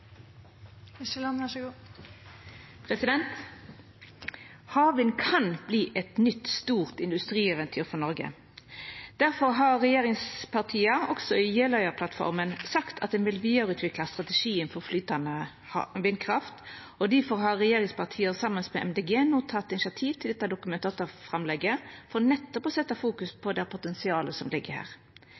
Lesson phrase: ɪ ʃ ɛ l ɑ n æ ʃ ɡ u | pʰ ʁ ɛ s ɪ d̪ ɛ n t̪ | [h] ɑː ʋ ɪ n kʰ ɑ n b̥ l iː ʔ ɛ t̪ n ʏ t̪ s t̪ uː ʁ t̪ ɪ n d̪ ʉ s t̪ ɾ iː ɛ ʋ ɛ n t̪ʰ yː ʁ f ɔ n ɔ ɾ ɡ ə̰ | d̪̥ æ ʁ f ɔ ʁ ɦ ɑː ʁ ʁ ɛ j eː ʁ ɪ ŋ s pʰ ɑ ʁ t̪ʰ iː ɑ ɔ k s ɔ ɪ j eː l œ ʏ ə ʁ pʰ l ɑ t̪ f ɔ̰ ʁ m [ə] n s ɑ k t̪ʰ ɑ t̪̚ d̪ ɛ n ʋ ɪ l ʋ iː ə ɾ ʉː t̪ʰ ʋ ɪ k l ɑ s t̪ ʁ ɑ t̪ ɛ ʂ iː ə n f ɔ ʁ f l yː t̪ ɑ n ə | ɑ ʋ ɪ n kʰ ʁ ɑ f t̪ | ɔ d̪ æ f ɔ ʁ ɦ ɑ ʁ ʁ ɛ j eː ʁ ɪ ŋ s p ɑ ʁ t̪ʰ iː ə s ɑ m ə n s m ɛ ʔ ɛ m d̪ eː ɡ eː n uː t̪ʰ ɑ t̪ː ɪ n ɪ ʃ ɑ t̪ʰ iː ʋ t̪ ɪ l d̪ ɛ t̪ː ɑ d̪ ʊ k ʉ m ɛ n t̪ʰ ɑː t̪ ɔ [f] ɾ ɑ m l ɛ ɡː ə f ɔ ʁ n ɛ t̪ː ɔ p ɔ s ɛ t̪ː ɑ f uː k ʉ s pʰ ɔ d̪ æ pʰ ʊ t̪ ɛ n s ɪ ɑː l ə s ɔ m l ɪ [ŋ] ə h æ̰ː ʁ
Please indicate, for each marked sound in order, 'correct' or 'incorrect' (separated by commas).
correct, correct, correct, incorrect